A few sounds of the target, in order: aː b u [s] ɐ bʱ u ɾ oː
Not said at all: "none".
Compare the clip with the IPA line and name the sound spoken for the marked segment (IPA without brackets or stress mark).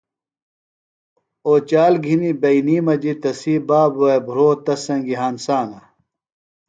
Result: none